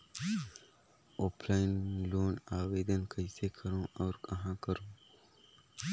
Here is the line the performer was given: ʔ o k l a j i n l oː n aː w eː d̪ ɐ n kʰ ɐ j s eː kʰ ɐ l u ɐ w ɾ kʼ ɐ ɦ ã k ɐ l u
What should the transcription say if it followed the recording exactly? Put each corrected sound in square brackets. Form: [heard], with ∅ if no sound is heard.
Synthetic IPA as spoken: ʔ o [p] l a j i n l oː n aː w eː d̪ ɐ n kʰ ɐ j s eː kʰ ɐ [ɾ] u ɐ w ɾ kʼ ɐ ɦ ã k ɐ [ɾ] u